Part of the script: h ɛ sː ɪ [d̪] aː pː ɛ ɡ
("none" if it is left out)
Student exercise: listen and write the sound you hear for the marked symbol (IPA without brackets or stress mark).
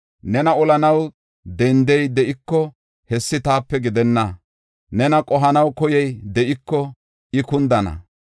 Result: t̪